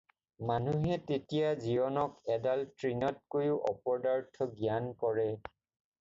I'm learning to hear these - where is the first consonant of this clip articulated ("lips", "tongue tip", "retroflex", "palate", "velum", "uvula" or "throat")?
lips